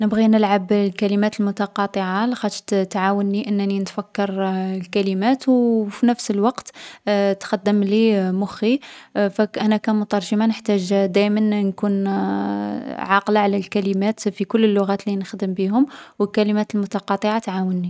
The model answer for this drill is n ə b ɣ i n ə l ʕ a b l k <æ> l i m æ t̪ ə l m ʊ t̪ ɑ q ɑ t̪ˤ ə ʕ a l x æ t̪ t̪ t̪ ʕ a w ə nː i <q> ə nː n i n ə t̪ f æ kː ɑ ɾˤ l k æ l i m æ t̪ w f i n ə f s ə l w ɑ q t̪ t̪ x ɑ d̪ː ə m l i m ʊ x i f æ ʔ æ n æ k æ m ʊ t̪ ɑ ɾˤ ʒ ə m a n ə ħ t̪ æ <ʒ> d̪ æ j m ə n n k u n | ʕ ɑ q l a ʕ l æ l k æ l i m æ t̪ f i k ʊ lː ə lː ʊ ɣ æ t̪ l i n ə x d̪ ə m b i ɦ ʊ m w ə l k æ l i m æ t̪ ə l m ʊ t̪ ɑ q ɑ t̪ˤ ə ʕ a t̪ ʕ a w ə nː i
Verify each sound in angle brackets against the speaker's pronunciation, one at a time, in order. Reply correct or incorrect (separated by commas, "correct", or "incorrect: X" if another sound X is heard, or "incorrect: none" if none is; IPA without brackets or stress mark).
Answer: correct, incorrect: ʔ, correct